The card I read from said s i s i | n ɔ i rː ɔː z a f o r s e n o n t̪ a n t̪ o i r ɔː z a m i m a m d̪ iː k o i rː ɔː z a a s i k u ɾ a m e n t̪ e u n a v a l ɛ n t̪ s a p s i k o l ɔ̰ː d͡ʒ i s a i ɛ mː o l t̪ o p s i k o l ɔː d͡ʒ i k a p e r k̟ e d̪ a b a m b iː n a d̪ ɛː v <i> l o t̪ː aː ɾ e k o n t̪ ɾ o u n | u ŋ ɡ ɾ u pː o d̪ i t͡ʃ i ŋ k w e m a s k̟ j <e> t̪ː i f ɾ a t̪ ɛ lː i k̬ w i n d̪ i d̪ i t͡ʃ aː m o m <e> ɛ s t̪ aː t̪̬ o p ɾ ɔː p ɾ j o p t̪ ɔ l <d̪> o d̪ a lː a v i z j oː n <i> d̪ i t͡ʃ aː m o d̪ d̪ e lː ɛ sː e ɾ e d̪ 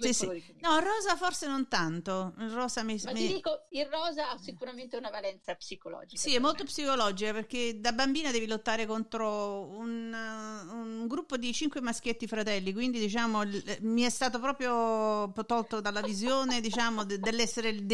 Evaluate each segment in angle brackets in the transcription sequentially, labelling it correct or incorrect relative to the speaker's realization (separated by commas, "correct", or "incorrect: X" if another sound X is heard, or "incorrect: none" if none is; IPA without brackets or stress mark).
correct, correct, incorrect: i, incorrect: t̪, incorrect: e